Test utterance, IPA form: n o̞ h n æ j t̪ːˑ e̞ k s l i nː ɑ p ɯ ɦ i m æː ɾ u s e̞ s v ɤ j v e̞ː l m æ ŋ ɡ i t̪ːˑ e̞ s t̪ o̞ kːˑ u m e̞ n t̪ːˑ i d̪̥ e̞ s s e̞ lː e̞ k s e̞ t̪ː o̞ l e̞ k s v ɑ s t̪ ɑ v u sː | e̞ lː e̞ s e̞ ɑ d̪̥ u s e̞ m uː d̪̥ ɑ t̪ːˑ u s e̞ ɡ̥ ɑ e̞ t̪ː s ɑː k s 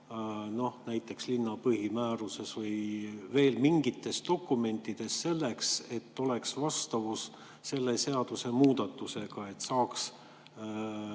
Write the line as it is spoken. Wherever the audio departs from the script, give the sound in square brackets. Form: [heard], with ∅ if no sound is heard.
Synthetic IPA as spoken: n o̞ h n æ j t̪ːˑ e̞ k s l i nː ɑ p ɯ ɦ i m æː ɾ u s e̞ s v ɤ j v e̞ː l m [i] ŋ ɡ i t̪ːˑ e̞ s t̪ o̞ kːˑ u m e̞ n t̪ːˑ i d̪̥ e̞ s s e̞ lː e̞ k s e̞ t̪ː o̞ l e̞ k s v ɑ s t̪ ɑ v u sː | e̞ lː e̞ s e̞ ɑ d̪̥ u s e̞ m uː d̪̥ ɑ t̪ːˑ u s e̞ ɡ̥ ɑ e̞ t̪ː s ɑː k s